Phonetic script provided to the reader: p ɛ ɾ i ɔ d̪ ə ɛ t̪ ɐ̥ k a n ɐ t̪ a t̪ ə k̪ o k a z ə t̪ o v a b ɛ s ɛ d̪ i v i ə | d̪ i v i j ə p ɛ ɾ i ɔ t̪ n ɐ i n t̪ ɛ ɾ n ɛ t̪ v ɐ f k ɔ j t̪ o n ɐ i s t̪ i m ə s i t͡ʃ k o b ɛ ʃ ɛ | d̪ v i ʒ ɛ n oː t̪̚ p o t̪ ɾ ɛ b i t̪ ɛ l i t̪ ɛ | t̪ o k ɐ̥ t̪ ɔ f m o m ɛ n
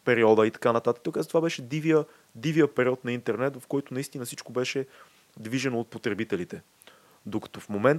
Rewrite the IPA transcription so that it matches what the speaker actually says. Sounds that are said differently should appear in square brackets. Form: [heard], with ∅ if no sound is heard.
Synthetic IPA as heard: p ɛ ɾ i ɔ d̪ ə [i] t̪ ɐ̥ k a n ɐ t̪ a t̪ ə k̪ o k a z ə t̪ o v a b ɛ [ʃ] ɛ d̪ i v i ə | d̪ i v i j ə p ɛ ɾ i ɔ t̪ n ɐ i n t̪ ɛ ɾ n ɛ t̪ v ɐ f k ɔ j t̪ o n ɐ i s t̪ i [n] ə s i t͡ʃ k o b ɛ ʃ ɛ | d̪ v i ʒ ɛ n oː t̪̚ p o t̪ ɾ ɛ b i t̪ ɛ l i t̪ ɛ | [d̪] o k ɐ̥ t̪ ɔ f m o m ɛ n